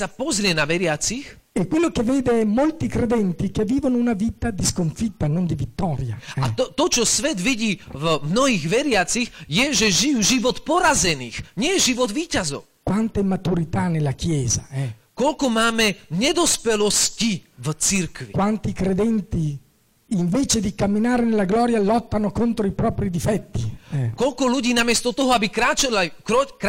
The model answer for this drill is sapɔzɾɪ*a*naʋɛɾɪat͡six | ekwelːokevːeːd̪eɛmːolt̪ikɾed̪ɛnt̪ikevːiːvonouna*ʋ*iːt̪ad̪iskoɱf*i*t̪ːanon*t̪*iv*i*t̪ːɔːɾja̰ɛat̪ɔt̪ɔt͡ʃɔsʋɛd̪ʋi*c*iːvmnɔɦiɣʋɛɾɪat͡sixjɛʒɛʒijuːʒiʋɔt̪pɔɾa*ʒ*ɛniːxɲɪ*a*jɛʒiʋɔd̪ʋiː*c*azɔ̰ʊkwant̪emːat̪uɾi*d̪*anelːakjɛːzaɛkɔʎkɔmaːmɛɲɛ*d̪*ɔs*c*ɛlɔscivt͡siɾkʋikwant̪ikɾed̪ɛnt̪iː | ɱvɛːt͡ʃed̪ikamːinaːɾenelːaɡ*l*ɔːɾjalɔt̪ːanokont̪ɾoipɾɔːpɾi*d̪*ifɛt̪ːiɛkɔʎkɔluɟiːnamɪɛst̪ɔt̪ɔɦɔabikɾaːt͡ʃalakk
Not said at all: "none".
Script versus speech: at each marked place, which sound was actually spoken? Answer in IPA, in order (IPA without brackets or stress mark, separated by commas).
ɛ, v, i, d̪, i, ɟ, z, ɛ, c, t̪, d̪, p, l, d̪